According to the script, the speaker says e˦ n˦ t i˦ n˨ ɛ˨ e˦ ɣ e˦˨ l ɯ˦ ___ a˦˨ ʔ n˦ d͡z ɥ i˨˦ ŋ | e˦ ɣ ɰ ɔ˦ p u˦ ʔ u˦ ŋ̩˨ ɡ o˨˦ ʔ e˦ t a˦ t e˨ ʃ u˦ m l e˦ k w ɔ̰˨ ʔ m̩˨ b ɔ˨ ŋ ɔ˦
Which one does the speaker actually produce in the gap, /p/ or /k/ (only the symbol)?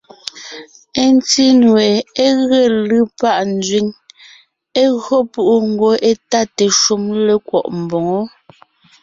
p